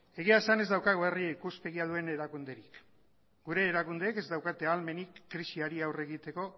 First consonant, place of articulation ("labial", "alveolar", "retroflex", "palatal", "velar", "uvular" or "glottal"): velar